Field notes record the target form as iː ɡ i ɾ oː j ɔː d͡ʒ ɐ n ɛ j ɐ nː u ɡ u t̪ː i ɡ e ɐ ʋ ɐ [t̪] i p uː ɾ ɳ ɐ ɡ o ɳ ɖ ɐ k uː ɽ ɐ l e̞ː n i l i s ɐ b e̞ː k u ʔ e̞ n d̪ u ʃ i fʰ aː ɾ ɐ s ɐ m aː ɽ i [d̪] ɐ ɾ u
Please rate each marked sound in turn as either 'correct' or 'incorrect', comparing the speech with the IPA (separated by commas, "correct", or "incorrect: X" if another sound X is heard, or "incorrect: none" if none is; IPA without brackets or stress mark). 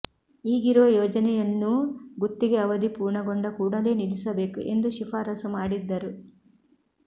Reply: incorrect: d̪, incorrect: d̪ː